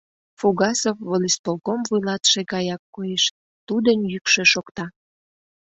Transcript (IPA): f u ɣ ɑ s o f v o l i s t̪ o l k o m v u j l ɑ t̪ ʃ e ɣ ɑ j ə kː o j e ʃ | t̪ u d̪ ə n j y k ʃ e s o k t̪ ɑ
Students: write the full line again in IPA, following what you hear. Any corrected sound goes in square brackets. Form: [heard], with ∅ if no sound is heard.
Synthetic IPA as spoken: f u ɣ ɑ s o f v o l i s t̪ o l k o m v u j l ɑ t̪ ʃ e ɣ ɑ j [ɑ] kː o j e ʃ | t̪ u d̪ ə n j y k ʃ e [ʃ] o k t̪ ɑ